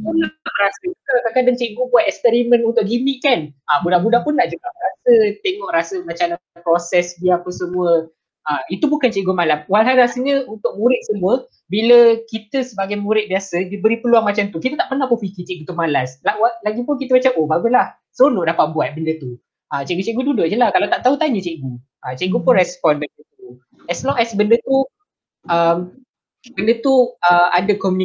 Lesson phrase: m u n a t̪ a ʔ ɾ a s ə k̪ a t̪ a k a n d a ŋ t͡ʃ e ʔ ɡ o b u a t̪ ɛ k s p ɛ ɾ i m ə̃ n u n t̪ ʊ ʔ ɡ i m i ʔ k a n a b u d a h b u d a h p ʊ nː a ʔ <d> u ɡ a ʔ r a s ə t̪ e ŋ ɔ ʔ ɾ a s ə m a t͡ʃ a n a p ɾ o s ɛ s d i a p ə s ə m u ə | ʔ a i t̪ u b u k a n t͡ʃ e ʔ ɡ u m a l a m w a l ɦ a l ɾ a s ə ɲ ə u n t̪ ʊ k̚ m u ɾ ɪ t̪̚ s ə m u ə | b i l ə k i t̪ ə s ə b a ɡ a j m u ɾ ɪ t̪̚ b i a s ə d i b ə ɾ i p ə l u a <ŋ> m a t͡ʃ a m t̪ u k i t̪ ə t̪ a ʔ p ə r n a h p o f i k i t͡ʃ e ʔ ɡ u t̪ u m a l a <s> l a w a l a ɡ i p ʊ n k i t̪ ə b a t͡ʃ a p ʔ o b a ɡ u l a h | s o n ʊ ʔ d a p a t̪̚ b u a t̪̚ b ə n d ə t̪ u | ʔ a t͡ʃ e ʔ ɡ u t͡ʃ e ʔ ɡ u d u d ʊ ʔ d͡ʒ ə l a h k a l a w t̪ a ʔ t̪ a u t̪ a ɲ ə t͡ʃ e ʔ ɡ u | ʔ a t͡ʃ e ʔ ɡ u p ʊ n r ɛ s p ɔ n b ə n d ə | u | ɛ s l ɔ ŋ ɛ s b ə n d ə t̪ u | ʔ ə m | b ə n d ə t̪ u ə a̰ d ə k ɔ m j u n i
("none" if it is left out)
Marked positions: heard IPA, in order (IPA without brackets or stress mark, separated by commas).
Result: d͡ʒ, ŋ, s